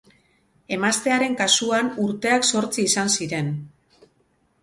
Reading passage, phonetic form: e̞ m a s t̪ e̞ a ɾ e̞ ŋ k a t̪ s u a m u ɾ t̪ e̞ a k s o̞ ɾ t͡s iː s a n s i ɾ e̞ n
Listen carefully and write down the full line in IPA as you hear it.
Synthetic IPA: e̞ m a s t̪ e̞ a ɾ e̞ ŋ k a s u a n u ɾ t̪ e̞ a k s o̞ ɾ t͡s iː s a n s i ɾ e̞ n